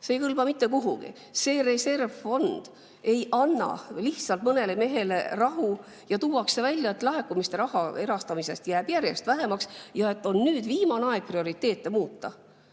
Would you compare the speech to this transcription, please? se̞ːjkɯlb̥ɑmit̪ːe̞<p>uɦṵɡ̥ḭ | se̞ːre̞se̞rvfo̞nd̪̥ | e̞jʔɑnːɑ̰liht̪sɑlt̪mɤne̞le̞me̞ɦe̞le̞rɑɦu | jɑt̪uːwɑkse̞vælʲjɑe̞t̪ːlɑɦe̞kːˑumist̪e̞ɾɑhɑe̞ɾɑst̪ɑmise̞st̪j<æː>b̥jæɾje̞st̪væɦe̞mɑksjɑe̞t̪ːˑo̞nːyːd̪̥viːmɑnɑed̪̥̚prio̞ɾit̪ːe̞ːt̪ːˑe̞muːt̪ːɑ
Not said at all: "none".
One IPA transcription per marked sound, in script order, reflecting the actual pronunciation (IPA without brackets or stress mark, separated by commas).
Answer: k, æː